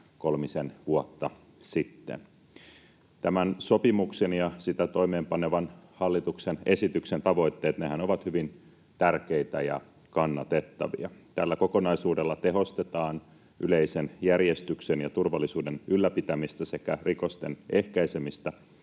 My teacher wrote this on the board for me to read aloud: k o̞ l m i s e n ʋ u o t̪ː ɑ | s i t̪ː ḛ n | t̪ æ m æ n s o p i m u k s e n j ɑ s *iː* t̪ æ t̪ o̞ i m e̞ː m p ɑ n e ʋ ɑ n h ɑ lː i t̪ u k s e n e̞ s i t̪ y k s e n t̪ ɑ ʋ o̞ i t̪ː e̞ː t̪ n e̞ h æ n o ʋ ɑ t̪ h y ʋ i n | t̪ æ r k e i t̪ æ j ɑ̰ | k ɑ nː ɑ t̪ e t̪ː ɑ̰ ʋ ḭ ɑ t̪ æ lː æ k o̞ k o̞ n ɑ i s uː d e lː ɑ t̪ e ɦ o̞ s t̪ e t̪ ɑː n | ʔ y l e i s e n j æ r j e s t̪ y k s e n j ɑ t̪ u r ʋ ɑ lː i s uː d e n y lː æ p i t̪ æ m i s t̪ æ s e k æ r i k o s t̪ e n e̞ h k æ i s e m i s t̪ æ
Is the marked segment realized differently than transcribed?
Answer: yes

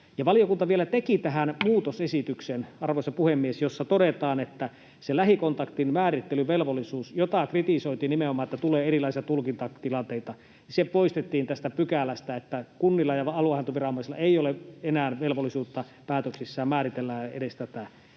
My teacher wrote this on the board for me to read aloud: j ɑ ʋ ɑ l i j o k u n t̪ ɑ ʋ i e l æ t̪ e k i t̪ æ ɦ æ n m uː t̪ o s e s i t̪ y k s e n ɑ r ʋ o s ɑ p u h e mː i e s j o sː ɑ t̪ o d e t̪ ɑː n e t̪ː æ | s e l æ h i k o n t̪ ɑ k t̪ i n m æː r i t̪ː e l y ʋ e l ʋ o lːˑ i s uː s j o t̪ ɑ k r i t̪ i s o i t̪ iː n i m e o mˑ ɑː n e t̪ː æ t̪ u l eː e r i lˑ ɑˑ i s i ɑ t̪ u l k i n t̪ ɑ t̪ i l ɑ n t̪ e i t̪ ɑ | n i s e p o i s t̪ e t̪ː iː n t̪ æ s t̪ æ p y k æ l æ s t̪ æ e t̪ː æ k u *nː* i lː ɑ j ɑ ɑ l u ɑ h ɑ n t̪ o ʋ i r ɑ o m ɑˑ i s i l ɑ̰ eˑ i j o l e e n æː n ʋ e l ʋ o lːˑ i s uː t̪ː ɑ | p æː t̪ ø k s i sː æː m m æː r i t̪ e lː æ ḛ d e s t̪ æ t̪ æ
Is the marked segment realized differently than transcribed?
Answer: no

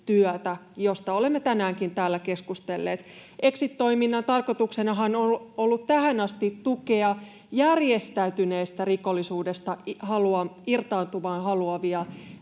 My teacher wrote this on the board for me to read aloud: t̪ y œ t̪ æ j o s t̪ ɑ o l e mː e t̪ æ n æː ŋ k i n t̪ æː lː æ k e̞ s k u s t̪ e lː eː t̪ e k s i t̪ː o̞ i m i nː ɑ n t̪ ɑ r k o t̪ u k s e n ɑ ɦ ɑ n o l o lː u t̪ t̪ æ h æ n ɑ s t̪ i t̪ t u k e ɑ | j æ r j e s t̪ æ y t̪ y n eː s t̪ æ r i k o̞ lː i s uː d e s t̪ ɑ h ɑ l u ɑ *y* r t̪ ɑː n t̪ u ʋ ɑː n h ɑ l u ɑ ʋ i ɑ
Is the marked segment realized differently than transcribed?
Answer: yes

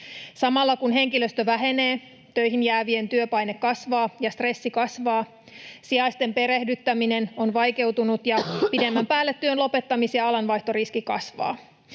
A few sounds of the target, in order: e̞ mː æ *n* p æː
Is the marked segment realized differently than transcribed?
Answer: yes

